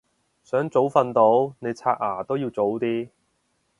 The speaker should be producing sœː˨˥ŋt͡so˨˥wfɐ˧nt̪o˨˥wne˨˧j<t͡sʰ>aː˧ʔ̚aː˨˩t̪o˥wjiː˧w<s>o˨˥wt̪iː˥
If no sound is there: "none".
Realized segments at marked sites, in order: t͡sʰ, t͡s

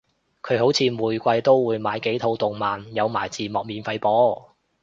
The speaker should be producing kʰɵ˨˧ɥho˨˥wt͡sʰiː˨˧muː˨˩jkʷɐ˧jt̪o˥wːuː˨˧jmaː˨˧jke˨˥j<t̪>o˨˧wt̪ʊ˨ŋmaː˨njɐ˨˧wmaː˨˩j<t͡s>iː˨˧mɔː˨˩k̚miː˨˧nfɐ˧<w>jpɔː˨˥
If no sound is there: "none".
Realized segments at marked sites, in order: t̪ʰ, t͡s, none

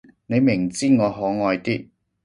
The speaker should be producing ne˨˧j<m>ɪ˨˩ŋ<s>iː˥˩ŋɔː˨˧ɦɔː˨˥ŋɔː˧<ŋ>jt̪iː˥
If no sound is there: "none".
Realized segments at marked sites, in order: m, t͡s, none

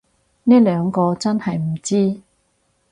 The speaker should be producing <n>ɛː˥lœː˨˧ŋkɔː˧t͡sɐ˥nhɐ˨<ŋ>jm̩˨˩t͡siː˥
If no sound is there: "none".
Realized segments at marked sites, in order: n, none

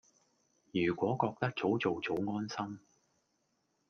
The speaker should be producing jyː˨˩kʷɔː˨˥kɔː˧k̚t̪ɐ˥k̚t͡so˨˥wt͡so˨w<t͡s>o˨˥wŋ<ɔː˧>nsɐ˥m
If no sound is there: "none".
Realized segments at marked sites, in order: t͡s, ɔː˥

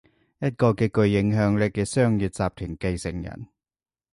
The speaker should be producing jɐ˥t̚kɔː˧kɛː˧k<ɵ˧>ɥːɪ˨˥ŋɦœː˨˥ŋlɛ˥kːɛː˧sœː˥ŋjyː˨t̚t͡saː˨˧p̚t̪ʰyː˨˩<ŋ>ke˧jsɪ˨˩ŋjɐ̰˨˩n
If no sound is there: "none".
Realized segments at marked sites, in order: ɵ˧, ŋ

